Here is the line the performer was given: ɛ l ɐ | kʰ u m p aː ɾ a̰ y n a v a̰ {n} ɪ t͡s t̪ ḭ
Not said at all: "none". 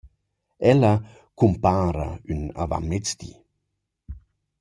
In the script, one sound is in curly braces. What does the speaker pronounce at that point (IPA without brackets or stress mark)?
m